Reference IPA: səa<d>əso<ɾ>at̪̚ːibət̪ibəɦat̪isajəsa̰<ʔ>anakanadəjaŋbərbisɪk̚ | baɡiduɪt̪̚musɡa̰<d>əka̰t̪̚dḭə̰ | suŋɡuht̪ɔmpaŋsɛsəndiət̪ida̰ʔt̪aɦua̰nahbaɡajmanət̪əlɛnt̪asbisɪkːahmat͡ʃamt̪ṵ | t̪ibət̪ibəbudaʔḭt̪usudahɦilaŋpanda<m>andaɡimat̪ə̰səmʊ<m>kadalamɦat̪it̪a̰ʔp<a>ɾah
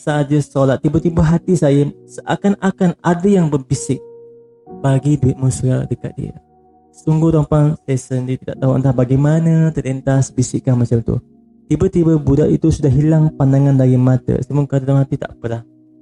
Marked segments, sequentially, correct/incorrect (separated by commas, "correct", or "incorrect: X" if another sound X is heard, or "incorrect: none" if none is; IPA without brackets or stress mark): incorrect: d͡ʒ, incorrect: l, incorrect: k, correct, incorrect: ŋ, incorrect: ŋ, incorrect: ə